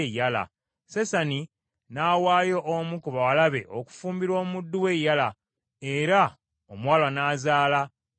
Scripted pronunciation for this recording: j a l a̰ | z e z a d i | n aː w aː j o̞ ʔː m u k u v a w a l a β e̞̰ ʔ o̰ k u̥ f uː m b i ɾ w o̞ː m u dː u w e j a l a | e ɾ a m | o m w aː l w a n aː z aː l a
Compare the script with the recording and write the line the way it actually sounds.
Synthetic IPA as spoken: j a l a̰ | s e s a n i | n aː w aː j o̞ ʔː m u k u β a w a l a β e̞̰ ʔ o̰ k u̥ f uː m b i ɾ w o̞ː m u dː u w e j a l a | e ɾ a | o m w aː l w a n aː z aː l a